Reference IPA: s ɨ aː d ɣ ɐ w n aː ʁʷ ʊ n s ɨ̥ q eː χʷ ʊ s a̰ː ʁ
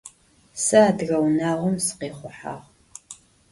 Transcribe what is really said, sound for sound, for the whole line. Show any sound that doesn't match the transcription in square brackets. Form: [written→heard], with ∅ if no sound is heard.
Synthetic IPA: s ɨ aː d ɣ ɐ w n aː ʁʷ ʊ [n→m] s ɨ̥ q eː χʷ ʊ [s→ħ] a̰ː ʁ